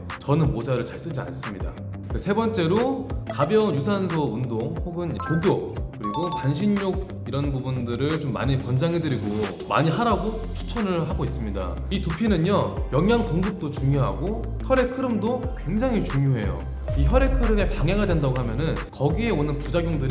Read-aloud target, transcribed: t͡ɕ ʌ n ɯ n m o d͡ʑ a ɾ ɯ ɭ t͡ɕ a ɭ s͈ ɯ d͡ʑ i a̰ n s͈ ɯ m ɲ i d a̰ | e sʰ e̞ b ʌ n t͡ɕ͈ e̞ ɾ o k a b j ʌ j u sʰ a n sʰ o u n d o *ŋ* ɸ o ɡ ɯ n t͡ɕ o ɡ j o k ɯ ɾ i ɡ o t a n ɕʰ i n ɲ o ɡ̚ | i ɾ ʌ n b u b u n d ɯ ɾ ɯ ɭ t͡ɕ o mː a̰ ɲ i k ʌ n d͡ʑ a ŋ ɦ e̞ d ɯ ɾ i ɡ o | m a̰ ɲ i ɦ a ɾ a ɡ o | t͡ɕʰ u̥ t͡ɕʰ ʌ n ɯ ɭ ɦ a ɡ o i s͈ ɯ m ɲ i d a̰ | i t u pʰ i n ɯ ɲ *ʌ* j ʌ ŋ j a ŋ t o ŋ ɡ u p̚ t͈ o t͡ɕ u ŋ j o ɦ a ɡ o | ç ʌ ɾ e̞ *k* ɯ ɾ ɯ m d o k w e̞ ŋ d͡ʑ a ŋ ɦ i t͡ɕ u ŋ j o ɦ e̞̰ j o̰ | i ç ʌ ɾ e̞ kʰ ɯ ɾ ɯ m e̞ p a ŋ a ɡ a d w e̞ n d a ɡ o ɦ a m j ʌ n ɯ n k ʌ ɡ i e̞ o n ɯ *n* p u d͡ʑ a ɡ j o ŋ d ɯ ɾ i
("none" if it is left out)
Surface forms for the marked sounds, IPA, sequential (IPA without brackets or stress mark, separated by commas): ŋ, ʌ, kʰ, n